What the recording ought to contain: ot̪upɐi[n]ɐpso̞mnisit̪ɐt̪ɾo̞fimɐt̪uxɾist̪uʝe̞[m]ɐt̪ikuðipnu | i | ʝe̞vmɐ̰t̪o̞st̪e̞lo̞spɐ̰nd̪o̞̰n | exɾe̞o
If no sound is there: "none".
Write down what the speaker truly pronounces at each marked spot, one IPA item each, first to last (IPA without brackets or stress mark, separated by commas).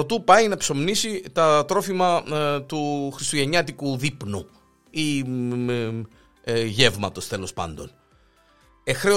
n, ɲ